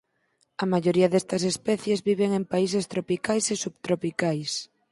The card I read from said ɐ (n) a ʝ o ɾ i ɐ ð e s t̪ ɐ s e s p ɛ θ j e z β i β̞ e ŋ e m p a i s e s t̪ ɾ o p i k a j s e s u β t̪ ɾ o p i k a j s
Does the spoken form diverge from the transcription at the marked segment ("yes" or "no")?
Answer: yes